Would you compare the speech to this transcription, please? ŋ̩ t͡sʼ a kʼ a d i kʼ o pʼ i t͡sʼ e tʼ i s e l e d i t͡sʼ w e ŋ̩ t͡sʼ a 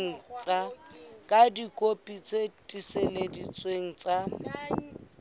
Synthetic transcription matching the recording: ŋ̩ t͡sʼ a kʼ a d i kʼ o pʼ i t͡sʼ e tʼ i s e l e d i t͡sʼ w e ŋ̩ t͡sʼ a